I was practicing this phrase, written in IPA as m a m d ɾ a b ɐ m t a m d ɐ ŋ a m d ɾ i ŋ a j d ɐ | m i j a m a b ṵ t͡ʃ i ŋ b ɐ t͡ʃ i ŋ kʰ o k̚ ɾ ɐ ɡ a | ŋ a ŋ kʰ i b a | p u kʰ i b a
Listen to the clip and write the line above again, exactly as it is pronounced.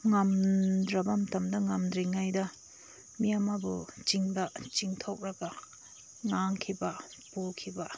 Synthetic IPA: ŋ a m d ɾ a b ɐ m t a m d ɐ ŋ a m d ɾ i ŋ a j d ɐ | m i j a m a b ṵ t͡ʃ i ŋ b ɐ t͡ʃ i ŋ tʰ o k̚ ɾ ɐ ɡ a | ŋ a ŋ kʰ i b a | p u kʰ i b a